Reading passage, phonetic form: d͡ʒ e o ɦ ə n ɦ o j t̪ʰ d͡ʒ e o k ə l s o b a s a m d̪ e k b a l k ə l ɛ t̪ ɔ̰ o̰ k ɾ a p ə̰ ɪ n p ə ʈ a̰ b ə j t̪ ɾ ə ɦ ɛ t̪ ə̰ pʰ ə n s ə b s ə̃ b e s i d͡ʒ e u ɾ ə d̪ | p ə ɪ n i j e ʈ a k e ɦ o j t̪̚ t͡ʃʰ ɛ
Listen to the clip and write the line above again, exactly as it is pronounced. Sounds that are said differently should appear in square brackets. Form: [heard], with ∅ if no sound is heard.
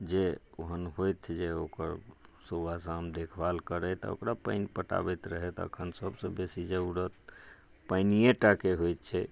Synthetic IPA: d͡ʒ e o ɦ ə n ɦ o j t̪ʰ d͡ʒ e o k ə [ɾ] s o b a s a m d̪ e [kʰ] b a l k ə [ɾ] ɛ t̪ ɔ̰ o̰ k ɾ a p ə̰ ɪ n p ə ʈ a̰ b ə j t̪ ɾ ə ɦ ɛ t̪ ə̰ [kʰ] ə n s ə b s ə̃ b e s i d͡ʒ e u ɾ ə [t̪] | p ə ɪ n i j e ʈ a k e ɦ o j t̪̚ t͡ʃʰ ɛ